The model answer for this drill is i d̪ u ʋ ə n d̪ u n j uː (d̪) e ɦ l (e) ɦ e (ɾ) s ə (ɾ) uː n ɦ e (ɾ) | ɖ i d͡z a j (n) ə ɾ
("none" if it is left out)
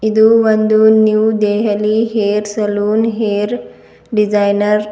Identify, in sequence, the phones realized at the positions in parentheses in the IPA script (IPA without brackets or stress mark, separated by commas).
d̪, i, ɾ, l, ɾ, n